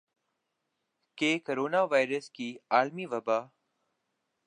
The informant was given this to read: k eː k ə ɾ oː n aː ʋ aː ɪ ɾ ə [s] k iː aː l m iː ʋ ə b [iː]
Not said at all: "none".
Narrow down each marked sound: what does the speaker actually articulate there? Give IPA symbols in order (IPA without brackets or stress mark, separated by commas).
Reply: s, aː